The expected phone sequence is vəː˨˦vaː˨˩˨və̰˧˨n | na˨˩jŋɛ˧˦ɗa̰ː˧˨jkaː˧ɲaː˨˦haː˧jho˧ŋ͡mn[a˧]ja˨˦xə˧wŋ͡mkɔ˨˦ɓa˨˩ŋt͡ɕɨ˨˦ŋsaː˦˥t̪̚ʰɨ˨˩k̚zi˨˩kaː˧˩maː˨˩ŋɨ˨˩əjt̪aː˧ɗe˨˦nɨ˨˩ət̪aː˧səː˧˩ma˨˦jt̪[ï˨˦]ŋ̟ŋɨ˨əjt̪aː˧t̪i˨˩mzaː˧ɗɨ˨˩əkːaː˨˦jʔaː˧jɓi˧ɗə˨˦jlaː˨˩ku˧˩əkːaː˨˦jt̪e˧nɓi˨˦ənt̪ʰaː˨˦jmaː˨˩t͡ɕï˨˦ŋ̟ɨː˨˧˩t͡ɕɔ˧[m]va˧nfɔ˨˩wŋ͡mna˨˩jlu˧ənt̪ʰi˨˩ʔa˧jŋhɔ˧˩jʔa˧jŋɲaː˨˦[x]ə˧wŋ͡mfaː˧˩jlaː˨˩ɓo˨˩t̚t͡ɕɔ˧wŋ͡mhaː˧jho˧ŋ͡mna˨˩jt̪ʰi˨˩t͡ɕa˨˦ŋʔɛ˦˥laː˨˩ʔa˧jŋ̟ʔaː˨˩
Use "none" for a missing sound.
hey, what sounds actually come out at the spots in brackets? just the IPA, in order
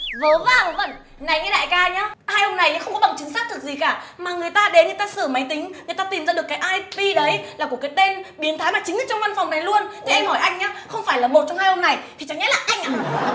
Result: a˨˩, ï˨˦, ŋ͡m, x

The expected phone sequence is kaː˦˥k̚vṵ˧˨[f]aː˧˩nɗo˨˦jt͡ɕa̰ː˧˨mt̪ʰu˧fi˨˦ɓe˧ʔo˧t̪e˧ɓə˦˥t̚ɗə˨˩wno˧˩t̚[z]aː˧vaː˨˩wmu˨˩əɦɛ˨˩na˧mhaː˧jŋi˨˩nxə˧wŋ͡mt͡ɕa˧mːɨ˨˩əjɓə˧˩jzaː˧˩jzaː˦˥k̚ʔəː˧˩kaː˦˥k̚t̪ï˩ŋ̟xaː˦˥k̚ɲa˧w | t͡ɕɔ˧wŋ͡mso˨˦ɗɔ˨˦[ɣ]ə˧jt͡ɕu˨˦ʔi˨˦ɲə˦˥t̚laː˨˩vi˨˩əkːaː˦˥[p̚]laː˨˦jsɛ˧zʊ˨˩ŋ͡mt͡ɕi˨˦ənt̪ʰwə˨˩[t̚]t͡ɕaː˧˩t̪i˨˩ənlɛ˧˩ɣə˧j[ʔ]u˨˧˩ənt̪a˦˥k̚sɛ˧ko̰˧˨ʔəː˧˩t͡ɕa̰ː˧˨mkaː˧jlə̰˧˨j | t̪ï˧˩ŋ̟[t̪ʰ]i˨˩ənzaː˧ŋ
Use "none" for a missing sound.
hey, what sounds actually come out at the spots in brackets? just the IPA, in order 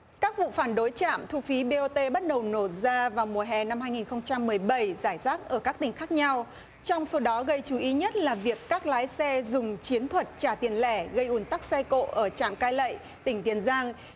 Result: f, z, ɣ, k̚, t̚, ʔ, t̪

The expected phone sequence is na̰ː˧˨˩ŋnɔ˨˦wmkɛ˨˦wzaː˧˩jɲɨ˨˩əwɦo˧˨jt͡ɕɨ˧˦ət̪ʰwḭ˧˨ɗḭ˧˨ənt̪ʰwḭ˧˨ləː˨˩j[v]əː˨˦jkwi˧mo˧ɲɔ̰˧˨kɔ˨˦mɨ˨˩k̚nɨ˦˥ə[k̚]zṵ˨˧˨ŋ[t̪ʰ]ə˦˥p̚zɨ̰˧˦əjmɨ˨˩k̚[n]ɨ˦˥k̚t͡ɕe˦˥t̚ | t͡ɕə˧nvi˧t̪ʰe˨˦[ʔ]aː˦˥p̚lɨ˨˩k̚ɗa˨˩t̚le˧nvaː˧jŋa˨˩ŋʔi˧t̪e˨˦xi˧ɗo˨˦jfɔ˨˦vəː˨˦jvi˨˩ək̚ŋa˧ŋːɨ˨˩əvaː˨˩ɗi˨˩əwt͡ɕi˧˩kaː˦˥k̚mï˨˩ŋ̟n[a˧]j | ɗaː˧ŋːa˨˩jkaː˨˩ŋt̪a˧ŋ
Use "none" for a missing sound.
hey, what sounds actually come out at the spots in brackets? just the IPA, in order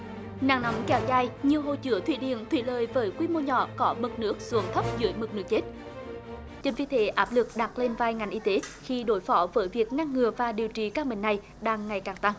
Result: v, k̚, t̪ʰ, n, ʔ, a˨˩

